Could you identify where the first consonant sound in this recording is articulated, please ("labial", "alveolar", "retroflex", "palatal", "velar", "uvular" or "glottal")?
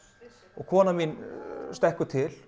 velar